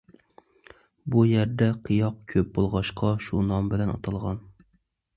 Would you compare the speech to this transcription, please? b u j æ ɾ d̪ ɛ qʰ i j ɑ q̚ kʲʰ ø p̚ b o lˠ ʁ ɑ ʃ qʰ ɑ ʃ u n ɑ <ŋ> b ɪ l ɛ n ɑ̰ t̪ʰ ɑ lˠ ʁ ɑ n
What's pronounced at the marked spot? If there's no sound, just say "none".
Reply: m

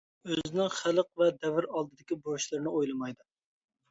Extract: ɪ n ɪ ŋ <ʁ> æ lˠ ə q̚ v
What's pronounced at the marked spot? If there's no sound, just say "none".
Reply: χ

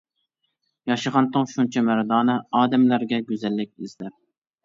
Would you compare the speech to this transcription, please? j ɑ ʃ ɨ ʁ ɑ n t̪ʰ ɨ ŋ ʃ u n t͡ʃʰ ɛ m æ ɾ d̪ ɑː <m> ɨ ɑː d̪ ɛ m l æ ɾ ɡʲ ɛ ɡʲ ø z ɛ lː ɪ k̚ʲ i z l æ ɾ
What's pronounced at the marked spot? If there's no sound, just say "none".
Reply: n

